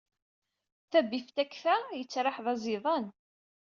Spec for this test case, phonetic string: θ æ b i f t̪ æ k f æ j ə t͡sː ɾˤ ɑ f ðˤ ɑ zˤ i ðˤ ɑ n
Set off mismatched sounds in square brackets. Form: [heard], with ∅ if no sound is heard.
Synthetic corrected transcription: θ æ b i f t̪ æ k f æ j ə t͡sː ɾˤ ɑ [ħ] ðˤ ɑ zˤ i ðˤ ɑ n